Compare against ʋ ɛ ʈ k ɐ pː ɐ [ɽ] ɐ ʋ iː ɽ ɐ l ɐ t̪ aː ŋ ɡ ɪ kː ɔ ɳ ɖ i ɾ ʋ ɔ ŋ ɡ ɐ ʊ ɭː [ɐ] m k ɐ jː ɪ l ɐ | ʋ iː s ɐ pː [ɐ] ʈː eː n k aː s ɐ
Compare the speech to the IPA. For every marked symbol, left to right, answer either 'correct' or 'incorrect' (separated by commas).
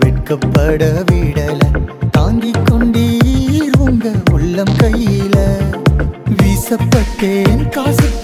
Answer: correct, correct, correct